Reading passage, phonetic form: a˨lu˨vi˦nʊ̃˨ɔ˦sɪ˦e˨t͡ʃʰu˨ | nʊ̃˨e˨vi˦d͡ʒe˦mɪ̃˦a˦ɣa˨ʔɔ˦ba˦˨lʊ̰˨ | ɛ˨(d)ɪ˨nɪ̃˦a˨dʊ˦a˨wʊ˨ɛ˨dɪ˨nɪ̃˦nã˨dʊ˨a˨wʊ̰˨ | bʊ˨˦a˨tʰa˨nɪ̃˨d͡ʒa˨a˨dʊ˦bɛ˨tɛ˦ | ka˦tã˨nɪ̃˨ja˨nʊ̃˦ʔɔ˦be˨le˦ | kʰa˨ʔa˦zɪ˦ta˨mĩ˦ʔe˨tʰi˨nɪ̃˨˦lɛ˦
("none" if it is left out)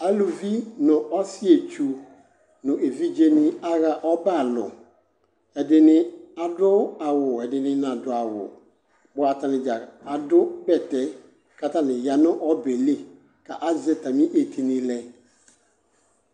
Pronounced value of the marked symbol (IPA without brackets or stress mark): d